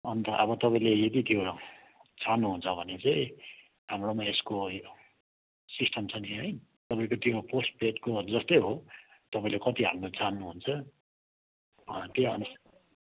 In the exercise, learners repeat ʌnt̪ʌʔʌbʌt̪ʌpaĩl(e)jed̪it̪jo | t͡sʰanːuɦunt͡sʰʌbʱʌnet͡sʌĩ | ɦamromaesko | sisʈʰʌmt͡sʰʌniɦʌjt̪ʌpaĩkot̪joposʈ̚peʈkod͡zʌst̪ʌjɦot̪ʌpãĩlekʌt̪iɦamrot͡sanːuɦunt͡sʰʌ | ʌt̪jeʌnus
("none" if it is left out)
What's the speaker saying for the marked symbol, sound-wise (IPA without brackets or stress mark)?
e